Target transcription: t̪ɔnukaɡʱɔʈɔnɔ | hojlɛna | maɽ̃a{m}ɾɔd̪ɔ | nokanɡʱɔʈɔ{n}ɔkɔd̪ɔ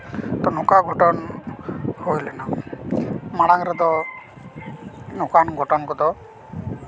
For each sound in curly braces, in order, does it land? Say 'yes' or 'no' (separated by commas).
no, yes